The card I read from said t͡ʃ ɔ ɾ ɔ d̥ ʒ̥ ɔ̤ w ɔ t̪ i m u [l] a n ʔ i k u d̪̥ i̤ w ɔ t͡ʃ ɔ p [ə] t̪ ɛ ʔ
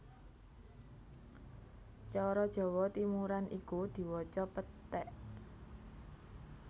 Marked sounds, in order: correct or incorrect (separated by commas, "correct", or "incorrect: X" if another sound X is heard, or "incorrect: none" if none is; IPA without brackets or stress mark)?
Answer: incorrect: ɾ, correct